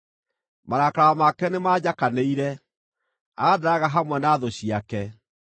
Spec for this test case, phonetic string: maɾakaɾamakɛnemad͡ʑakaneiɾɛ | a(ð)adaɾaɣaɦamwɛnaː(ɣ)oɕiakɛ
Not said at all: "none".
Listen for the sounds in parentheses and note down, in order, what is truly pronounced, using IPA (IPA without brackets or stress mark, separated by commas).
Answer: ɣ, ð